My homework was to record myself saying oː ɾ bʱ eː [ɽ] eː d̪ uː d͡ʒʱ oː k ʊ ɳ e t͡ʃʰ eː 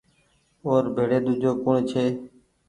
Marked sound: correct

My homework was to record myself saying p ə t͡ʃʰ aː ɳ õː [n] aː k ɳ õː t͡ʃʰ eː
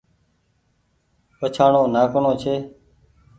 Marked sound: correct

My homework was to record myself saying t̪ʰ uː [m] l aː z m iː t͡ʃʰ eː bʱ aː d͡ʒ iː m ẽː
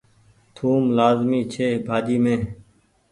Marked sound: correct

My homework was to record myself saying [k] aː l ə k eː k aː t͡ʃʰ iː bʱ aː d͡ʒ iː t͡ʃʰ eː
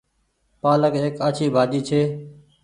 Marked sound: incorrect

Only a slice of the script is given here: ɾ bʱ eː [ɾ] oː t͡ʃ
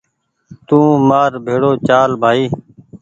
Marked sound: incorrect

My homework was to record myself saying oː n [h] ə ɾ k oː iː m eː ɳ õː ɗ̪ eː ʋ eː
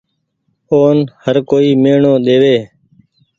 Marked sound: correct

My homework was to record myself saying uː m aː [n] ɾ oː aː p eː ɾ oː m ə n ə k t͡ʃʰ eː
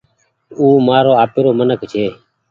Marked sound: incorrect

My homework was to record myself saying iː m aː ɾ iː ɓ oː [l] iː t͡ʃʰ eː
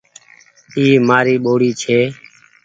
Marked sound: incorrect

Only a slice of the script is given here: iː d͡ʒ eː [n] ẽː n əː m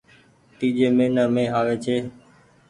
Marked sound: incorrect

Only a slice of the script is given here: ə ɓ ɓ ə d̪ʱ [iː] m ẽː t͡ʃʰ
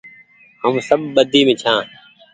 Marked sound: correct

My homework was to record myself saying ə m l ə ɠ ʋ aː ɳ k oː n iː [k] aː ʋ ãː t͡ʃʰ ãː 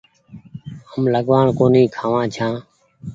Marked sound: incorrect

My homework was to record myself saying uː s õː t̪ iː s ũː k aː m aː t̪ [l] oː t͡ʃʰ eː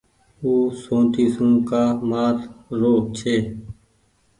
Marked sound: incorrect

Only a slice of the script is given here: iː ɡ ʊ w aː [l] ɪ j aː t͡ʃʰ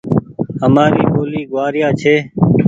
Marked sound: incorrect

